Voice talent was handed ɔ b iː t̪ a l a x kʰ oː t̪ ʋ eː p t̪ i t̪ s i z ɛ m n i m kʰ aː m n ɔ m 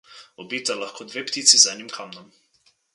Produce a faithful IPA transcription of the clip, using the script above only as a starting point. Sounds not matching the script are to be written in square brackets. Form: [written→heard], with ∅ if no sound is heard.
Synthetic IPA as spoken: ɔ b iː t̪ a l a x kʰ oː [t̪→d̪] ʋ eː p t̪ i t̪ s i z ɛ [m→∅] n i m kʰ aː m n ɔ m